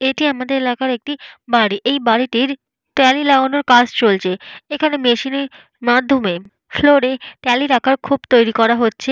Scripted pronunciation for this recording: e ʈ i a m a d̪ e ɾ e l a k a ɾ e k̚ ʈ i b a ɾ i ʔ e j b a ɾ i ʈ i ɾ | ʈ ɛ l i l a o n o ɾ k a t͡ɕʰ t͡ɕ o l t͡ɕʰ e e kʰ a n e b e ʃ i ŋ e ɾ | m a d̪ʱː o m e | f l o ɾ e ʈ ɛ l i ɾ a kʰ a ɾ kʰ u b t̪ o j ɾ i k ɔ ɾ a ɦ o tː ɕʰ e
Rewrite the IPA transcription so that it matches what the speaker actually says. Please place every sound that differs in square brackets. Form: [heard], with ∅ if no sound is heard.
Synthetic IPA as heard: e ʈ i a m a d̪ e ɾ e l a k a ɾ e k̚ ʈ i b a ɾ i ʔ e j b a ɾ i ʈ i ɾ | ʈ ɛ l i l a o n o ɾ k a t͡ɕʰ t͡ɕ o l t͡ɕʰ e e kʰ a n e [m] e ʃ i [n] e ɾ | m a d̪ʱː o m e | f l o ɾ e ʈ ɛ l i ɾ a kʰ a ɾ kʰ u b t̪ o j ɾ i k ɔ ɾ a ɦ o tː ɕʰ e